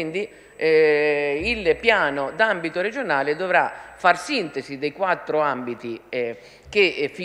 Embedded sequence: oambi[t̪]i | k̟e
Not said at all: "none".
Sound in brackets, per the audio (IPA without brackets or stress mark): t̪